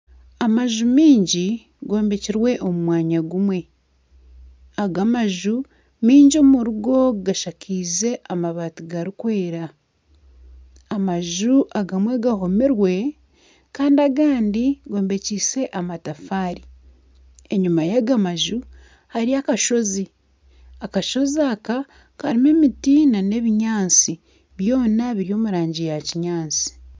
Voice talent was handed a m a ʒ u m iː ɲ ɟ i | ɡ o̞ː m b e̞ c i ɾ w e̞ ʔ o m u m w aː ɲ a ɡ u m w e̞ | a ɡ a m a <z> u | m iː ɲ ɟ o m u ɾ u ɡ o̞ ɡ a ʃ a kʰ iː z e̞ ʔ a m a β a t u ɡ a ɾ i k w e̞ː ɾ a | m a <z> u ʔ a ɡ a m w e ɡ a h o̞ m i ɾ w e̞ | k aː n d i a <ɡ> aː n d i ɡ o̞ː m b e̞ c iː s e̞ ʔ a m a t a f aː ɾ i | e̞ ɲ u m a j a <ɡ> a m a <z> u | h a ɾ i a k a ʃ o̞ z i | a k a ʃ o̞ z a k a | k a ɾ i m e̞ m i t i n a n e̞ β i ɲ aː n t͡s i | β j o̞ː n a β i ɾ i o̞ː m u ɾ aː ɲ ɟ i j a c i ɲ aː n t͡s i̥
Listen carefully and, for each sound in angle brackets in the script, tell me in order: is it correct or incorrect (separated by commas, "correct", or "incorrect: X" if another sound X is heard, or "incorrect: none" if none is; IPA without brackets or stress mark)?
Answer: incorrect: ʒ, incorrect: ʒ, correct, correct, incorrect: ʒ